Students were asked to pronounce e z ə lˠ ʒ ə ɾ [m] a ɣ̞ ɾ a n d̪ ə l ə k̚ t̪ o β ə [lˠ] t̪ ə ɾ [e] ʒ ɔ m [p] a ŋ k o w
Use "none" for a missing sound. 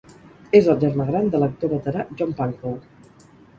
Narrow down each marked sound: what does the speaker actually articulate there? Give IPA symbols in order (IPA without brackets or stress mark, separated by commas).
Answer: m, none, a, p